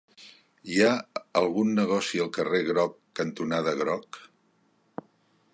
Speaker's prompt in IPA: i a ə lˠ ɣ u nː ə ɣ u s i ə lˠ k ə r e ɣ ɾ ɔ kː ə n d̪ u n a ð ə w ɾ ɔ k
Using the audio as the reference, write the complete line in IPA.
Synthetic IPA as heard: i a ə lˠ ɣ u nː ə ɣ ɔ s i ə lˠ k ə r e ɣ ɾ ɔ kː ə n t̪ u n a ð ə ɣ ɾ ɔ k